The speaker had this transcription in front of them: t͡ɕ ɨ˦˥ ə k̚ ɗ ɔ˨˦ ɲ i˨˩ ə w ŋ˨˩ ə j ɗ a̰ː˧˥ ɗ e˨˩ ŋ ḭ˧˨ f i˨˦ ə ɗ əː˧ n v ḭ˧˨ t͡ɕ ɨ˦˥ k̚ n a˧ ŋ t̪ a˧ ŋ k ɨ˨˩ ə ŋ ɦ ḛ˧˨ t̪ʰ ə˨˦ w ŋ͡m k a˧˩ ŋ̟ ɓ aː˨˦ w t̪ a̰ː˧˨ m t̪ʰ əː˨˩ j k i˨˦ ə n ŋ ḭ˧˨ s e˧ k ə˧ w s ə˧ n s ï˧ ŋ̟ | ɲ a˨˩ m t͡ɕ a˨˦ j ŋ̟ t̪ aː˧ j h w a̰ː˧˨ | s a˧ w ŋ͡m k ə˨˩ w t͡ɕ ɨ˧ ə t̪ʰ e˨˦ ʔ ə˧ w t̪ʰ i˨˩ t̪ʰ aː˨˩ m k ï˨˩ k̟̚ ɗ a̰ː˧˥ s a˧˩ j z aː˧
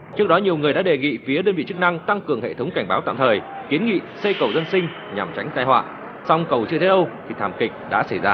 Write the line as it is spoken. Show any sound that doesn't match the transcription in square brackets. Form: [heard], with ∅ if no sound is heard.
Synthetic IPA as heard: t͡ɕ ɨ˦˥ ə k̚ ɗ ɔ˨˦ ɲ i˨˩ ə w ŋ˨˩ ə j ɗ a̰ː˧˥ ɗ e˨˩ ŋ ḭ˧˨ f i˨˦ ə ɗ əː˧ n v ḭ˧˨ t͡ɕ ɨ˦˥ k̚ n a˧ ŋ t̪ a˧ ŋ k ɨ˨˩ ə ŋ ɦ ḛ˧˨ t̪ʰ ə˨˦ w ŋ͡m k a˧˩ ŋ̟ ɓ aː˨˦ w t̪ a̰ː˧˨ m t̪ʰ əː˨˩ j k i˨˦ ə n ŋ ḭ˧˨ s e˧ k [ə˨˩] w [z] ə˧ n s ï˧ ŋ̟ | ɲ a˨˩ m t͡ɕ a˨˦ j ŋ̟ t̪ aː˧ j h w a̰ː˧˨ | s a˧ w ŋ͡m k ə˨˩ w t͡ɕ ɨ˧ ə t̪ʰ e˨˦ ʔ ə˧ w t̪ʰ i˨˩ t̪ʰ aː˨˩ m k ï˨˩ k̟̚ ɗ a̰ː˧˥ s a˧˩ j z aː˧

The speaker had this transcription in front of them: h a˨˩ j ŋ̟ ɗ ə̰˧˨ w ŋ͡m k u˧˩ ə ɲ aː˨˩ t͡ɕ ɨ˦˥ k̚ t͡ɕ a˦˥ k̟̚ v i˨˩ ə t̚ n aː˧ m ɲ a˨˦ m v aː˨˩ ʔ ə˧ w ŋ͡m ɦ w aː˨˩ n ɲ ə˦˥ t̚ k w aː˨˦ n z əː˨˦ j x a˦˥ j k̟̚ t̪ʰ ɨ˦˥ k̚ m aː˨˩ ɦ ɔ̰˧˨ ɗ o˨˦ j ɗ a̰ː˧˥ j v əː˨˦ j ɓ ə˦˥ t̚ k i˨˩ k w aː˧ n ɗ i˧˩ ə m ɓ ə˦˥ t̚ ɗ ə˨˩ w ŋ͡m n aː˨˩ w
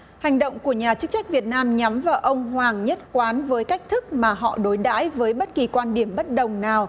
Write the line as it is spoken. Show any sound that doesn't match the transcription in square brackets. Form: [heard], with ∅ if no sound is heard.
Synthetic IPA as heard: h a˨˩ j ŋ̟ ɗ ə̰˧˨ w ŋ͡m k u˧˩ ə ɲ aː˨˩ t͡ɕ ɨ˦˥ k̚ t͡ɕ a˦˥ k̟̚ v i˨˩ ə t̚ n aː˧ m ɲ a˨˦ m v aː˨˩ ʔ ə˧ w ŋ͡m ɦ w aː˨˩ [ŋ] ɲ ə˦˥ t̚ k w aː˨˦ n [v] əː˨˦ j [k] a˦˥ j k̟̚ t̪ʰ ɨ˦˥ k̚ m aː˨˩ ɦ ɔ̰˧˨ ɗ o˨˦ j ɗ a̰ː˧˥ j v əː˨˦ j ɓ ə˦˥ t̚ k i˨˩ k w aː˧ n ɗ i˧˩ ə m ɓ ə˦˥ t̚ ɗ ə˨˩ w ŋ͡m n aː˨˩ w

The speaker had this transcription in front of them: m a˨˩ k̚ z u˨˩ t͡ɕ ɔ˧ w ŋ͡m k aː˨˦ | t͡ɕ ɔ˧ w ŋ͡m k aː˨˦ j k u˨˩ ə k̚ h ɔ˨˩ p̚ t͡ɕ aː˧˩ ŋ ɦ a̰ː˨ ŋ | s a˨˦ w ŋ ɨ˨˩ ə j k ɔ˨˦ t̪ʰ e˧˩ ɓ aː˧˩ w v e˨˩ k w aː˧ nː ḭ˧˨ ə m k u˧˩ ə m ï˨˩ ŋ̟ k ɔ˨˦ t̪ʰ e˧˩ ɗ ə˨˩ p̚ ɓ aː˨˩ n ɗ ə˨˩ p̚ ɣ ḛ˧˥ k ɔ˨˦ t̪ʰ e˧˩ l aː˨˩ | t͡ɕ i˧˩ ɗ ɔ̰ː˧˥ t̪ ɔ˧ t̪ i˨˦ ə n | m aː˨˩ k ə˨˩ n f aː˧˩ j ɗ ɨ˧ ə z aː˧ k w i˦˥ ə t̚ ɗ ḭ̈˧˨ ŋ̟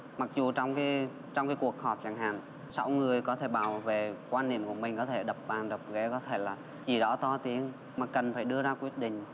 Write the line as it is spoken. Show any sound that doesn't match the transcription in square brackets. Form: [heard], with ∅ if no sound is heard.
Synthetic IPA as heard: m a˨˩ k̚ z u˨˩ t͡ɕ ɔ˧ w ŋ͡m k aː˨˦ | t͡ɕ ɔ˧ w ŋ͡m k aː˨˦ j k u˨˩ ə k̚ h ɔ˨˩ p̚ t͡ɕ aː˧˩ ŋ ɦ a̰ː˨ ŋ | s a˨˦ w ŋ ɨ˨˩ ə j k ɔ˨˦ t̪ʰ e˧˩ ɓ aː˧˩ w v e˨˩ k w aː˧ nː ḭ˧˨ ə m k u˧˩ ə m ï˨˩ ŋ̟ k ɔ˨˦ t̪ʰ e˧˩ ɗ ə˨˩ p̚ ɓ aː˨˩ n ɗ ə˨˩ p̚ ɣ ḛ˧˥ k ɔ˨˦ t̪ʰ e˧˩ l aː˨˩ | t͡ɕ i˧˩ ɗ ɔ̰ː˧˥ t̪ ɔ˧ t̪ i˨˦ ə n | m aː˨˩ k ə˨˩ n f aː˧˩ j ɗ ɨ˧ ə z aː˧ k w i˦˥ ə t̚ ɗ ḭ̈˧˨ ŋ̟

